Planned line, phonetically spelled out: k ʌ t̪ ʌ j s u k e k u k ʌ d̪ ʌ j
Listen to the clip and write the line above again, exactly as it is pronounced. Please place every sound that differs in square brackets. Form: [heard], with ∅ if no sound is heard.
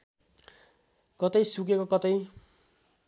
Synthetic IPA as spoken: k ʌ t̪ ʌ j s u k e k [o] k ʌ [t̪] ʌ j